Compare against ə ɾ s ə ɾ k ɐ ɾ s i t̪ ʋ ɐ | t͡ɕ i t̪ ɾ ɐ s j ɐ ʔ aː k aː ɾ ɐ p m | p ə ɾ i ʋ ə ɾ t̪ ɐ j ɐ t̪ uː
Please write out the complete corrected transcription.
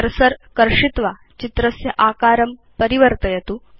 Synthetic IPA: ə ɾ s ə ɾ k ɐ ɾ ʂ i t̪ ʋ a | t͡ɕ i t̪ ɾ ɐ s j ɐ ʔ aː k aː ɾ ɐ m | p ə ɾ i ʋ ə ɾ t̪ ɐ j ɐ t̪ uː